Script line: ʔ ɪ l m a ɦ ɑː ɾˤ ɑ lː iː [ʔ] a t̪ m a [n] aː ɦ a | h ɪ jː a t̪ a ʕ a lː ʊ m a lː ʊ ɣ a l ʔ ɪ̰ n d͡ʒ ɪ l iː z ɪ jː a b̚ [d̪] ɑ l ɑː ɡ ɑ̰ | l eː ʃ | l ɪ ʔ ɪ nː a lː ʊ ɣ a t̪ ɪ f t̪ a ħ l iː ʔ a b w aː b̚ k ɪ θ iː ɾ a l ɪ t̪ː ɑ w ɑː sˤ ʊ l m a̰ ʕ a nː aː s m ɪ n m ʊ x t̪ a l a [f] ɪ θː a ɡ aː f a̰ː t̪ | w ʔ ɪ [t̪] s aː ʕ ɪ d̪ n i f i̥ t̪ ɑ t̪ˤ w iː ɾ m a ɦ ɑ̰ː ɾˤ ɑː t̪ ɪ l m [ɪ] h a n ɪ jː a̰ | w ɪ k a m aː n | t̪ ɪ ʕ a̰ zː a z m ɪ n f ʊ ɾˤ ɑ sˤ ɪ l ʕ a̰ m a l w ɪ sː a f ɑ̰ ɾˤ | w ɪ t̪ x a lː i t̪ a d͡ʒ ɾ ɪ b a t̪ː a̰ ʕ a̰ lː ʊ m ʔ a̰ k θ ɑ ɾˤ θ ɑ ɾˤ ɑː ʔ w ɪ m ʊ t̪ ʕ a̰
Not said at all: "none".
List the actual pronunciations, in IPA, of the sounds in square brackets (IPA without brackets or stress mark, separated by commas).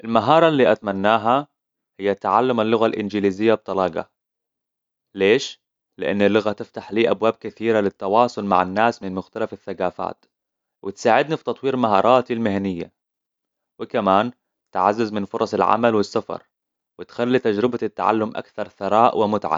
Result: ʔ, nː, t̪, f, t̪, ɪ